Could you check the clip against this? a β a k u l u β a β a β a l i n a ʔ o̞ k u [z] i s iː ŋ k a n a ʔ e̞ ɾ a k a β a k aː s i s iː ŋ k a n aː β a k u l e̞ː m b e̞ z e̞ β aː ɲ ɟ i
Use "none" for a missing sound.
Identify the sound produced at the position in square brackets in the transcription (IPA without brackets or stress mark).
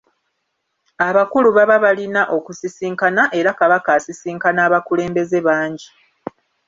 s